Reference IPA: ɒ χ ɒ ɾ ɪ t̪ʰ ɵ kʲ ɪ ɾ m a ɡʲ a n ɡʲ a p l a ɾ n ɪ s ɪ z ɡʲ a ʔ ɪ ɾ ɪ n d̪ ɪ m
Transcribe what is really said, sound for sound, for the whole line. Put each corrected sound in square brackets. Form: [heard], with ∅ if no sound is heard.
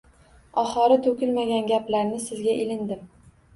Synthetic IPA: ɒ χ ɒ ɾ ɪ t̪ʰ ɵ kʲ ɪ [l] m a ɡʲ a n ɡʲ a p l a ɾ n ɪ s ɪ z ɡʲ a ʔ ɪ [l] ɪ n d̪ ɪ m